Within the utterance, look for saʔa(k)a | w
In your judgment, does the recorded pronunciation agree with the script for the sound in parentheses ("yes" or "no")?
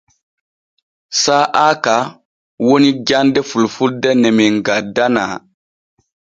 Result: yes